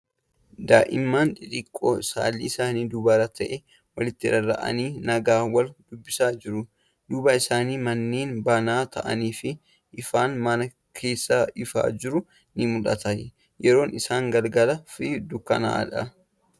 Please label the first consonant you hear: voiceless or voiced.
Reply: voiced